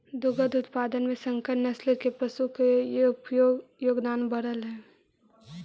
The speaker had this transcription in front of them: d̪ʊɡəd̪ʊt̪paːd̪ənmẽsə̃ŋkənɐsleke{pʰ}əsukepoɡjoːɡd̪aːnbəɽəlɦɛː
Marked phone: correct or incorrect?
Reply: incorrect